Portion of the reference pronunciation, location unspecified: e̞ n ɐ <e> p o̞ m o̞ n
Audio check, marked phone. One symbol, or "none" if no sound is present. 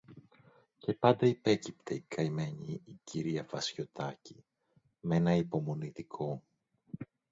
i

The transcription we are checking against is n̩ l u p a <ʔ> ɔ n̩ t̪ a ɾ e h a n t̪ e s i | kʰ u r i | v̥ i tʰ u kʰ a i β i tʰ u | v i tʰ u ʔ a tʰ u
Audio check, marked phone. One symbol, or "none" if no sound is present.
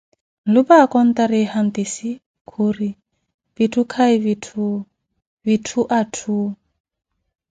k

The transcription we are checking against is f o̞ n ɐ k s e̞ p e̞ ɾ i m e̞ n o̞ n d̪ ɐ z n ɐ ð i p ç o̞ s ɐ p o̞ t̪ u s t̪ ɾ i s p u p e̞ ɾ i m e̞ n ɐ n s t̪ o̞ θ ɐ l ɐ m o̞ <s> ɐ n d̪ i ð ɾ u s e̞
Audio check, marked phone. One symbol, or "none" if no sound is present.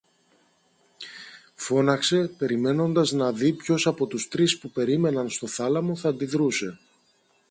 θ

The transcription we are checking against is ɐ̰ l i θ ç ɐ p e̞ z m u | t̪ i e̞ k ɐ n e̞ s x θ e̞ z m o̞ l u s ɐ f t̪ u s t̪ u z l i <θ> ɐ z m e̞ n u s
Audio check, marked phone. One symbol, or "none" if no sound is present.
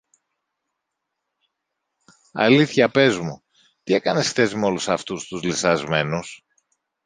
s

